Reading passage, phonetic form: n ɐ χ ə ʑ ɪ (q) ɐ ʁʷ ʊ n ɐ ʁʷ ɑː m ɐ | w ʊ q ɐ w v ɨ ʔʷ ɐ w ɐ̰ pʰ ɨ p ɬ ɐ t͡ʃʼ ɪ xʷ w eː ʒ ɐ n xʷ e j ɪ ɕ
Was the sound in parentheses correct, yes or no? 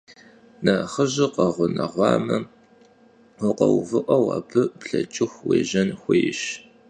yes